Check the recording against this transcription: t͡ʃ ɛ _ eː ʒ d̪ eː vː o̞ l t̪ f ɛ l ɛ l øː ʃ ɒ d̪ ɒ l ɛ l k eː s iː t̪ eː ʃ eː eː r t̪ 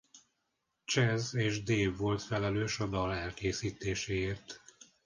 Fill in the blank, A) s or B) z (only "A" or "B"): B